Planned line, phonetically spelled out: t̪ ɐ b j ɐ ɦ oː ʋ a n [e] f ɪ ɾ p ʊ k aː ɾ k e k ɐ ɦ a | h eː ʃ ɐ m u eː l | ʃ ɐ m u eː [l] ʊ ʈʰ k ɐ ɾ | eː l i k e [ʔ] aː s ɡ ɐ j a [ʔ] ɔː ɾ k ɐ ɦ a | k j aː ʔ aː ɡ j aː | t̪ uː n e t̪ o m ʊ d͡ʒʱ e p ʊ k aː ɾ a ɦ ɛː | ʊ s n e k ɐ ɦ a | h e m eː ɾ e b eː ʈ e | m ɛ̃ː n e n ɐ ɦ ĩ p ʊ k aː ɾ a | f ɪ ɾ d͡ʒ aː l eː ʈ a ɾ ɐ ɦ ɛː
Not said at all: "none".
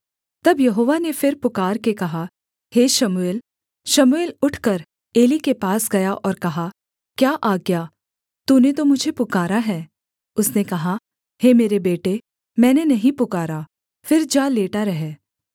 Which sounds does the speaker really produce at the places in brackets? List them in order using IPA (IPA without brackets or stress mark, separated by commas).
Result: e, l, p, ʔ